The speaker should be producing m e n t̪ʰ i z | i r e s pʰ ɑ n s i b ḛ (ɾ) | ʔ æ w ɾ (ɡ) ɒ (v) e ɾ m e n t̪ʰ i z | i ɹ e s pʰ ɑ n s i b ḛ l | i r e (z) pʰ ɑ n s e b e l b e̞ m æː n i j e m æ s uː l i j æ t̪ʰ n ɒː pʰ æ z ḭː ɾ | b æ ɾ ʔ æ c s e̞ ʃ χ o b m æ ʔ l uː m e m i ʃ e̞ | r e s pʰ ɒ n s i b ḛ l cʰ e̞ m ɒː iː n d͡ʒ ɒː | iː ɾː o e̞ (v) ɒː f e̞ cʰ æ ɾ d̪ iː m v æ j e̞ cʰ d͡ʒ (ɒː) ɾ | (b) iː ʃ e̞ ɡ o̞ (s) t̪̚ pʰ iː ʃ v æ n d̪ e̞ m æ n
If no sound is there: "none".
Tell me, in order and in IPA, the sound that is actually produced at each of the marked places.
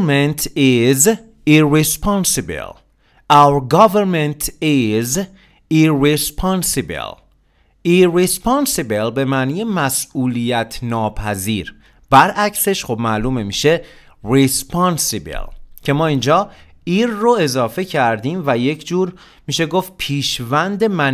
l, ɡ, v, s, z, uː, m, f

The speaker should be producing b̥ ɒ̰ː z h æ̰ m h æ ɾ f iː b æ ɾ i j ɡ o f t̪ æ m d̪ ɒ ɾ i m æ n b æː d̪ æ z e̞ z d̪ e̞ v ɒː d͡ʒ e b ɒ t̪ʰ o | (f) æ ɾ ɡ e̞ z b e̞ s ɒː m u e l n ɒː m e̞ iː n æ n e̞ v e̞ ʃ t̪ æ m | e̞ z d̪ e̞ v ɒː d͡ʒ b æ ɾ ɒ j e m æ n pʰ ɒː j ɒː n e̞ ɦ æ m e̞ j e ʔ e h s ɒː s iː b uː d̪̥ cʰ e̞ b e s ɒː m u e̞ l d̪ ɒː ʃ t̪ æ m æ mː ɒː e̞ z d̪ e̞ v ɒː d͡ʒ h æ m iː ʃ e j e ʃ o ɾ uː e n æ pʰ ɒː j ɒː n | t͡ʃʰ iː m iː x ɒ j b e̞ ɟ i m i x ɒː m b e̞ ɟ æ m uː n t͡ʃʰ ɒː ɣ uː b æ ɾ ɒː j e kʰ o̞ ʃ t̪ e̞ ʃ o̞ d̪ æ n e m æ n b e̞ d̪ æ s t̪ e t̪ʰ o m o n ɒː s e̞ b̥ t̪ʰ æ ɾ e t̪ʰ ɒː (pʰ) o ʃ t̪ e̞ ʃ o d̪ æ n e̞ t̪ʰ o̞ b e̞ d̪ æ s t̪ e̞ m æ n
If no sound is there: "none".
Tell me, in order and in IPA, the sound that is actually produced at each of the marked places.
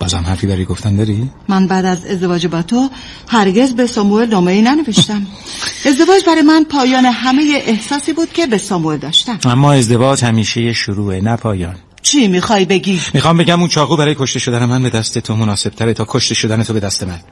h, kʰ

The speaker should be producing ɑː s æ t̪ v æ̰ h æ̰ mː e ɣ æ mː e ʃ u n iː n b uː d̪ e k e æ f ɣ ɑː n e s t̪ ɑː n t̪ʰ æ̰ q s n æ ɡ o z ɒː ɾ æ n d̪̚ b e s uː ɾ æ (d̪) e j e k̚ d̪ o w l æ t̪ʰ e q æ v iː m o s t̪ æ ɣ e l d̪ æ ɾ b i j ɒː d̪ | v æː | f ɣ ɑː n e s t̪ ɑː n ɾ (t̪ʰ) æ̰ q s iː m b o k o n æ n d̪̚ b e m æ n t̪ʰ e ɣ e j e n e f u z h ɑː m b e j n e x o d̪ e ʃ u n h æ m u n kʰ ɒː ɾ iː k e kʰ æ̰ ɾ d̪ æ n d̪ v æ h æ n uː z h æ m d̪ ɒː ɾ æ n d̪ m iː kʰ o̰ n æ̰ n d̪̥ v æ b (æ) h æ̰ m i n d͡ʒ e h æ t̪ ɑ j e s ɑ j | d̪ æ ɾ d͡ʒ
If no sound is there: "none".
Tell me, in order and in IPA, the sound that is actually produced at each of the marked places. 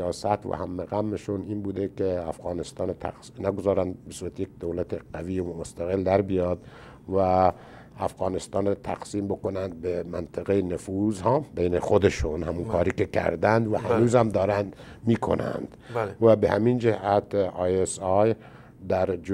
t̪, t̪ʰ, e

